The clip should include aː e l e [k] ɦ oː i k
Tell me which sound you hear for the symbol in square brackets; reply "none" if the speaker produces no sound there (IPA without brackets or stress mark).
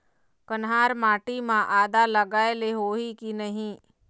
none